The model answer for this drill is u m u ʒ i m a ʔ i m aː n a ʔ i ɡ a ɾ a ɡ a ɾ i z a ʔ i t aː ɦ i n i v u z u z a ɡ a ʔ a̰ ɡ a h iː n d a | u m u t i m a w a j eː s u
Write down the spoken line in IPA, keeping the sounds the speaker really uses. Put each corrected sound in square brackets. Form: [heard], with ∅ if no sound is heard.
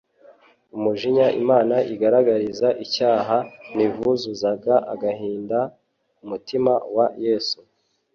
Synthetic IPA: u m u ʒ i [ɲ] a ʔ i m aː n a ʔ i ɡ a ɾ a ɡ a ɾ i z a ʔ i [c] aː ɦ [a] n i v u z u z a ɡ a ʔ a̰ ɡ a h iː n d a | u m u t i m a w a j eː s u